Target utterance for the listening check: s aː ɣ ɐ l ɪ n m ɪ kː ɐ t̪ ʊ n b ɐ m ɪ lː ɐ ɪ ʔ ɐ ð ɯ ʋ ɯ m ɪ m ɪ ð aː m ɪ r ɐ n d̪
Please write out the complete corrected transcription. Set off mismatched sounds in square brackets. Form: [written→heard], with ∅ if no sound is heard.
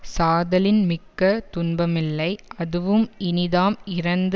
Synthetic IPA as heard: s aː [ɣ→ð] ɐ l ɪ n m ɪ kː ɐ t̪ ʊ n b ɐ m ɪ lː ɐ ɪ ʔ ɐ ð ɯ ʋ ɯ m ɪ [m→n] ɪ ð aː m ɪ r ɐ n d̪